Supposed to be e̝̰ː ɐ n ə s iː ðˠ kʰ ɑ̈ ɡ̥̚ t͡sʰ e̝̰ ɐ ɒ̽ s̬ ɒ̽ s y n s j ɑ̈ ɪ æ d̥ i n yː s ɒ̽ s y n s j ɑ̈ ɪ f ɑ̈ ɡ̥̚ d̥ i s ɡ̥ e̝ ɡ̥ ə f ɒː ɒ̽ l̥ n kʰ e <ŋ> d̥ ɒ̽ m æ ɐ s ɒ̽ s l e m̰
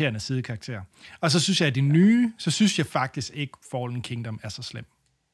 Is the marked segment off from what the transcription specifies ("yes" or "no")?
no